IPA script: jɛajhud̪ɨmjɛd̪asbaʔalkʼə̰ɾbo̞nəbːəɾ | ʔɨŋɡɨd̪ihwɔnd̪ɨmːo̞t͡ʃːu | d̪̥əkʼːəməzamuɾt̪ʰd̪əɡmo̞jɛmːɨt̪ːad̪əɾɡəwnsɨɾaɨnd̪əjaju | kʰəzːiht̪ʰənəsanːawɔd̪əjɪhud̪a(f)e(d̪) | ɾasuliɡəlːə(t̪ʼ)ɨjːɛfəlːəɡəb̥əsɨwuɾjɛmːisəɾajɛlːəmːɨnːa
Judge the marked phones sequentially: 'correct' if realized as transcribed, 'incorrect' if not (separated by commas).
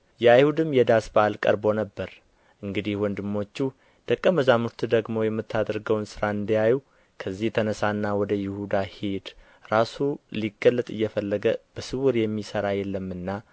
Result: incorrect, correct, correct